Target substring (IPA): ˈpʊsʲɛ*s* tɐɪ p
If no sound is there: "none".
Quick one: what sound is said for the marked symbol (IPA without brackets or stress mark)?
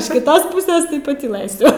s